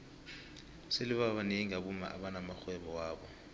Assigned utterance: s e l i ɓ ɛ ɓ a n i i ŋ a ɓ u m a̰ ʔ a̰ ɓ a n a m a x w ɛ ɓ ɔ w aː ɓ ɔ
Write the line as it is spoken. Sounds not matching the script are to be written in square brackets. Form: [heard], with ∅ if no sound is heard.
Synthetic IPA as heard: s e l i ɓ [a] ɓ a n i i ŋ a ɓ u m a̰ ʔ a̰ ɓ a n a m a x w ɛ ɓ ɔ w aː ɓ ɔ